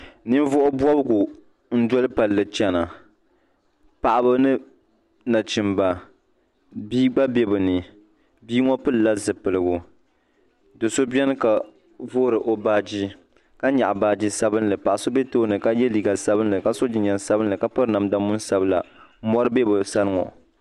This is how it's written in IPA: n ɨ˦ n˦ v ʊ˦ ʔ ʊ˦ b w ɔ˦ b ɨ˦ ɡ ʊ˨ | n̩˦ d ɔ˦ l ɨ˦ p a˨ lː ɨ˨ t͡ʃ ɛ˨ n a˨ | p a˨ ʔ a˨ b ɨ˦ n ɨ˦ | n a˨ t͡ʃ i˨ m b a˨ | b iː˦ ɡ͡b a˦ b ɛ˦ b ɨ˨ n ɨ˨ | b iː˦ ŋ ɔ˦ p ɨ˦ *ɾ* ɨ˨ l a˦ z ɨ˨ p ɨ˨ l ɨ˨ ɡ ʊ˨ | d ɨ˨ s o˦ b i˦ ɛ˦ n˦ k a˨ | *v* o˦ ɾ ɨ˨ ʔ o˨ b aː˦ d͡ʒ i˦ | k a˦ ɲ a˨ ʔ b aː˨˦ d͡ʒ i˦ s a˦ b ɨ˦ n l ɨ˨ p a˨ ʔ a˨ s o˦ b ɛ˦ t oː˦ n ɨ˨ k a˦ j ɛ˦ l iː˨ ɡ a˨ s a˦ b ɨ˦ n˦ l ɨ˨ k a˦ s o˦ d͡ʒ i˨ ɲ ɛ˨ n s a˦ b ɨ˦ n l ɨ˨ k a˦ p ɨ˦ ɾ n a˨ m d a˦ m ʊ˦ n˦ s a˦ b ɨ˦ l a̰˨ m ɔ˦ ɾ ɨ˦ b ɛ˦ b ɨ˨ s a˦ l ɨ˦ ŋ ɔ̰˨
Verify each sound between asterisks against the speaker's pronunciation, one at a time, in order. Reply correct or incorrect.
incorrect, correct

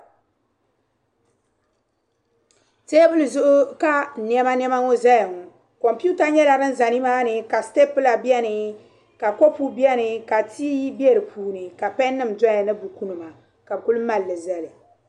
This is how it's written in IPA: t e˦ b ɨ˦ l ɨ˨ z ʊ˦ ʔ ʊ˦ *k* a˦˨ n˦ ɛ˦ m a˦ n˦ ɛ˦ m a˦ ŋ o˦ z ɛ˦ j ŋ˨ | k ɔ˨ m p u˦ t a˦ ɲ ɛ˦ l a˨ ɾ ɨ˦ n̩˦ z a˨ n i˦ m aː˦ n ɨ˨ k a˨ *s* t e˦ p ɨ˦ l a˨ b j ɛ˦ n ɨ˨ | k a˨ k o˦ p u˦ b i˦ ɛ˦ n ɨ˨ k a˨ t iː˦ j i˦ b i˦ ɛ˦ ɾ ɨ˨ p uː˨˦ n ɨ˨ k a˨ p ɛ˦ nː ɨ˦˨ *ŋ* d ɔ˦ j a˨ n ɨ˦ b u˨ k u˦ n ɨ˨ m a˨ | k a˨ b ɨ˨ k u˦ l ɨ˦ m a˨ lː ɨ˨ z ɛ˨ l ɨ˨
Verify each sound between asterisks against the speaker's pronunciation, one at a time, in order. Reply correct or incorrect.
correct, correct, incorrect

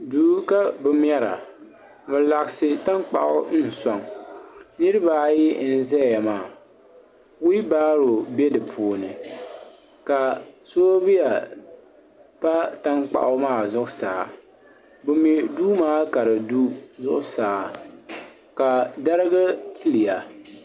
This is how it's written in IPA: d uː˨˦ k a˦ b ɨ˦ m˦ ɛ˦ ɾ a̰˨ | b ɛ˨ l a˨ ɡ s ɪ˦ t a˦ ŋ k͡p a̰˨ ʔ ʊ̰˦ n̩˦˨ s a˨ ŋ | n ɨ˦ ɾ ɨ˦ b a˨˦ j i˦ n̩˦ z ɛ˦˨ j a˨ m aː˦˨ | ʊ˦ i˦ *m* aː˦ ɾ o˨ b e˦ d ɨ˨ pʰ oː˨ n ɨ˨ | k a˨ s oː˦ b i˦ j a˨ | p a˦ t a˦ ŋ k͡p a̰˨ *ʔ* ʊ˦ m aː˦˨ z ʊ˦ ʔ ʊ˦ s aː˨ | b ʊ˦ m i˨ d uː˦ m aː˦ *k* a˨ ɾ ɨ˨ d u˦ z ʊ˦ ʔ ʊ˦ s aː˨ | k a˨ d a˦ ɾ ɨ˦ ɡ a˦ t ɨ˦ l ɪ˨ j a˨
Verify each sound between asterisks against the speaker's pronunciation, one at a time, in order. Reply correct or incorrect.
incorrect, correct, correct

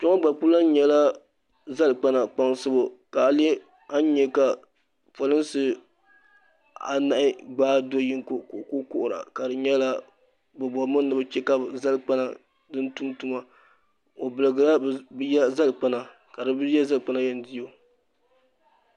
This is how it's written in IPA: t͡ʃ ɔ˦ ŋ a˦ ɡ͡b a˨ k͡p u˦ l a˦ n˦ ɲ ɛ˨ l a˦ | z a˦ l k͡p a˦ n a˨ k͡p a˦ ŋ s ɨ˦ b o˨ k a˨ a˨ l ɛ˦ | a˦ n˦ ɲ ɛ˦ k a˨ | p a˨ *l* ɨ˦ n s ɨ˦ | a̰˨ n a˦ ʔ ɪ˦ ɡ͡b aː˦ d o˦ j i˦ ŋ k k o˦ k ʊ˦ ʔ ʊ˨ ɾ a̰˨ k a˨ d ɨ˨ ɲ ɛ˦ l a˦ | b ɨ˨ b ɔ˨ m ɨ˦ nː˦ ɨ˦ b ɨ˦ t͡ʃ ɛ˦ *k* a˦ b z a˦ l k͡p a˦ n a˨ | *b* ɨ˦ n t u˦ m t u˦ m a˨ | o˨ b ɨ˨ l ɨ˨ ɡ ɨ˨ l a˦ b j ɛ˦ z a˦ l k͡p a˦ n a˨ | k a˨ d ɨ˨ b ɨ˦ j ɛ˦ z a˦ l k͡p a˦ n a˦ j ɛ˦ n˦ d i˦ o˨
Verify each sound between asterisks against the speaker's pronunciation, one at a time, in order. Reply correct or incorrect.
correct, correct, incorrect

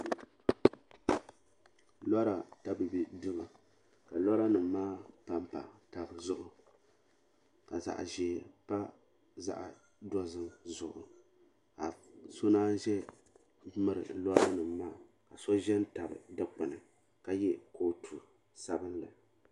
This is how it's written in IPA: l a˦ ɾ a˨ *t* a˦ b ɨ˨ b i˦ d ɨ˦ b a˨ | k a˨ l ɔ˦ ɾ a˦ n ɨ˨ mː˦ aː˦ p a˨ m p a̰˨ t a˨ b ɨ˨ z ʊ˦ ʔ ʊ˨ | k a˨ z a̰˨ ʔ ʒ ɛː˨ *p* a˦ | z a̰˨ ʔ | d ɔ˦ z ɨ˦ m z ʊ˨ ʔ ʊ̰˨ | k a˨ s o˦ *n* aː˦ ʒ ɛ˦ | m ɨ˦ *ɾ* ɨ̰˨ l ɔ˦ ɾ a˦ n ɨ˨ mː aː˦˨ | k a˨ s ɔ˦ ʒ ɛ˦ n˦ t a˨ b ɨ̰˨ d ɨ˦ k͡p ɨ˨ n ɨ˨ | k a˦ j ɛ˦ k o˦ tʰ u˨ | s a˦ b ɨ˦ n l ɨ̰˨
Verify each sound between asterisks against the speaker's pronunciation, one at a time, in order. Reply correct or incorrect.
correct, correct, correct, correct

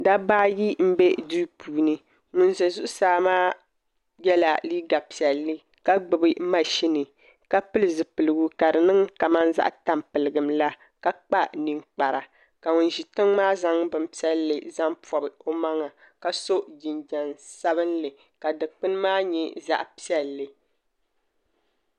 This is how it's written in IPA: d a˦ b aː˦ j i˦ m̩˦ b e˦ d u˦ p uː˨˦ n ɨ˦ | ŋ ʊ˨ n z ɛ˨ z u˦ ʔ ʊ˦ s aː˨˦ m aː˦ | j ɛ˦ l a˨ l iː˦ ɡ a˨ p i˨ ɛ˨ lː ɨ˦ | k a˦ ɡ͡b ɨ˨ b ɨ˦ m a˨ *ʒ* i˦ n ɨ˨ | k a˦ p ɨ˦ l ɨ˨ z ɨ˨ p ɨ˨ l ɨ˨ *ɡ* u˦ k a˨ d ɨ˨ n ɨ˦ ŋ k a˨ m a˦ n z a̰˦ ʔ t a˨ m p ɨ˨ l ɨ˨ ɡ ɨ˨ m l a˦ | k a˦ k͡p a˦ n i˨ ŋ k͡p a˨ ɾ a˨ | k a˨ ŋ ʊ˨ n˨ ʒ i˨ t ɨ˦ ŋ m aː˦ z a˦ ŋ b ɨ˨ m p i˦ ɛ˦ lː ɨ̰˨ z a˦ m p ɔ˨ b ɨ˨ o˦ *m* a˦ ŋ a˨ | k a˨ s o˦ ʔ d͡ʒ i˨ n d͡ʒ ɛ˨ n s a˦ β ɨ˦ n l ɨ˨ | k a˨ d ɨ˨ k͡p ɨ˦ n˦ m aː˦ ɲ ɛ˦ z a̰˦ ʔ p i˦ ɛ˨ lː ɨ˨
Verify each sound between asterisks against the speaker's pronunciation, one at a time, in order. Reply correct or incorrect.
incorrect, correct, correct

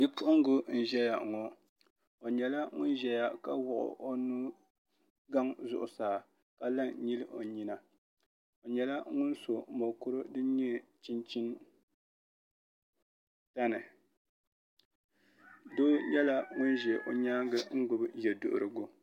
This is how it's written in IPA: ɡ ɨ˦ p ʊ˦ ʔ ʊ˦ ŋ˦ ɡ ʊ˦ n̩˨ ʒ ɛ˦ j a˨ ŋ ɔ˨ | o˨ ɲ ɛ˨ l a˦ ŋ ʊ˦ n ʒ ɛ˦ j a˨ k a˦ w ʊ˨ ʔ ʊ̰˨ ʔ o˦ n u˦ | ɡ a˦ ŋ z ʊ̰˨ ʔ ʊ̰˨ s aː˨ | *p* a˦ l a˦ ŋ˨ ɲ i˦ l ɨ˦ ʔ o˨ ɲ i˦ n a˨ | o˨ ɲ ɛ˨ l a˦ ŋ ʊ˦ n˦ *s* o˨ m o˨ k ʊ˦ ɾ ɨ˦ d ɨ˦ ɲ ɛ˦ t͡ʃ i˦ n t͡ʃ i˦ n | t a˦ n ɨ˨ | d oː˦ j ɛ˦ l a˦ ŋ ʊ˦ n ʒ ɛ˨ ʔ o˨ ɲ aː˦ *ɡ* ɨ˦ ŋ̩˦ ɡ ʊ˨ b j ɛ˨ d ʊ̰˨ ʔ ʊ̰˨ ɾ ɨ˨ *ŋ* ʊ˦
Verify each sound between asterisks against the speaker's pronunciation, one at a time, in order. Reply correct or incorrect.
incorrect, correct, correct, incorrect

